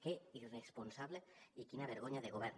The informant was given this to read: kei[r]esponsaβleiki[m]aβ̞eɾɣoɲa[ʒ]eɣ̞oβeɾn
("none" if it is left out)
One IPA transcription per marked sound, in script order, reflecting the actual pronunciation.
r, n, ð

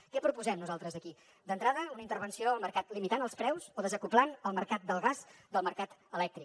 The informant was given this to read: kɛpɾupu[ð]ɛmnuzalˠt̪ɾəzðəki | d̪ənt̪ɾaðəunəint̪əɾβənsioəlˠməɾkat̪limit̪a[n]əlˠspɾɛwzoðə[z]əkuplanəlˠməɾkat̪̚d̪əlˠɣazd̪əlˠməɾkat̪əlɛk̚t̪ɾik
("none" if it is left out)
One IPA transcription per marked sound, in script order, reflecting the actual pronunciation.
z, n, z

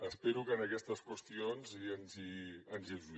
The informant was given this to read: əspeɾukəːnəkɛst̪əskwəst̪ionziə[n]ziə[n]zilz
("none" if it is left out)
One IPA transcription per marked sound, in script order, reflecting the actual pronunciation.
n, n

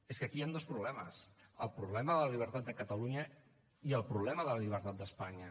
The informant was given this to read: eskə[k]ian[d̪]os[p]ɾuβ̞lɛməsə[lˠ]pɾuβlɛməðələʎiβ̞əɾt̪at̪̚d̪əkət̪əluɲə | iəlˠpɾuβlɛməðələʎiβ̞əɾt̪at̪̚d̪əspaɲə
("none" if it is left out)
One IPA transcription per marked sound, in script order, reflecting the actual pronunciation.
k, d̪, p, lˠ

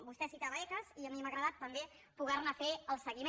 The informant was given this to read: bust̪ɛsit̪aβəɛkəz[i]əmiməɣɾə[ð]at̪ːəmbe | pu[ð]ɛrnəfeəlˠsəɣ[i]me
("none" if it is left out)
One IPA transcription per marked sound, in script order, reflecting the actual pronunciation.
i, ð, ɣ, i

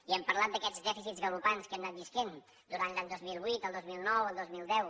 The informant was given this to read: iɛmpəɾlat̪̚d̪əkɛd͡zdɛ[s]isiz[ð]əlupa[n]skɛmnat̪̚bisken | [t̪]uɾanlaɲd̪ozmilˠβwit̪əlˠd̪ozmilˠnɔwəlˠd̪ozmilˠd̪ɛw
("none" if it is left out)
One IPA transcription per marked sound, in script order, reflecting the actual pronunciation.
f, ɣ, n, d̪

